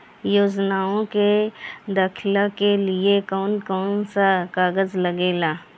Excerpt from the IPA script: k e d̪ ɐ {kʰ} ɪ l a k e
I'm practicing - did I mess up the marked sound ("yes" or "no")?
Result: no